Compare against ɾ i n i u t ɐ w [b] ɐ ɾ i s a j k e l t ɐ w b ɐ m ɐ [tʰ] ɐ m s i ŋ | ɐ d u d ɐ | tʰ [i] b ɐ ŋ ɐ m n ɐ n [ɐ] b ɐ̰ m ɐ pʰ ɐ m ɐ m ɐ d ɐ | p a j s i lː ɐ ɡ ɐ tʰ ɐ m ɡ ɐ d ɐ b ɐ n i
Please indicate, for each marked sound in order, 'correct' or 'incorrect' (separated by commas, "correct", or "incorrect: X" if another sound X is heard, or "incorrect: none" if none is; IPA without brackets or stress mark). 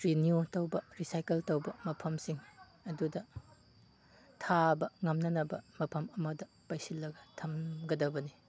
correct, incorrect: pʰ, incorrect: a, correct